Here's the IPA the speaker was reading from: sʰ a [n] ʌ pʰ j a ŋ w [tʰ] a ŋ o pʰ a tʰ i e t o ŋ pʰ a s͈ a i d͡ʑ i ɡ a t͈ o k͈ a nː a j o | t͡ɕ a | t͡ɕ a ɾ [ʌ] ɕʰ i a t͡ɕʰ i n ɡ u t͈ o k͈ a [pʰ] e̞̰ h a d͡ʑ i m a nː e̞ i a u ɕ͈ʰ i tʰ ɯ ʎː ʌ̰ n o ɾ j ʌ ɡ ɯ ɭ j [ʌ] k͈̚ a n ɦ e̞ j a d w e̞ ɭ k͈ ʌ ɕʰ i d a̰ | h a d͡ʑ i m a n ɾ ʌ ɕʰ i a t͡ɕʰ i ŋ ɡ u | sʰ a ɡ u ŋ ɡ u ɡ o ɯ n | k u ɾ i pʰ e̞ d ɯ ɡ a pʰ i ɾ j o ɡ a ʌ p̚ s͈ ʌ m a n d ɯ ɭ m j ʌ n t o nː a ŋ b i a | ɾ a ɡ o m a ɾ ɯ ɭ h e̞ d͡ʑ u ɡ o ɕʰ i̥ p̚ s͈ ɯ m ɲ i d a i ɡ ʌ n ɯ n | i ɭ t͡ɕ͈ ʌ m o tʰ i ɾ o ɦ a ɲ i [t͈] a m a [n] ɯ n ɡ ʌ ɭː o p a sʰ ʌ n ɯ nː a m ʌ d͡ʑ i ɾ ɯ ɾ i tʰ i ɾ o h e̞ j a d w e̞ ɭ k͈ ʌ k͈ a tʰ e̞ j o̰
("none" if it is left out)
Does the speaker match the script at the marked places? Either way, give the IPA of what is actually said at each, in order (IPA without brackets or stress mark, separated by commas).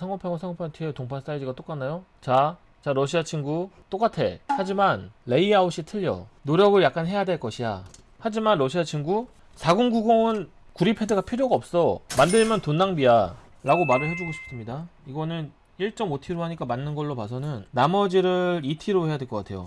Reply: ŋ, sʰ, ʌ, tʰ, a, k͈, nː